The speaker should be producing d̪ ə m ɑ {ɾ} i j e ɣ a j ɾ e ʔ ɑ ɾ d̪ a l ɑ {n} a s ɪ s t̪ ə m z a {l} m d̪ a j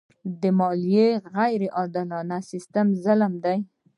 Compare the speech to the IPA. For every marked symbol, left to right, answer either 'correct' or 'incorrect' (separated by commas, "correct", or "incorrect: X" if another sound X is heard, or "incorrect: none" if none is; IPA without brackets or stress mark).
incorrect: l, correct, correct